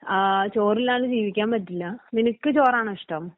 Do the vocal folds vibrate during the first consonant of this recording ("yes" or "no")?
no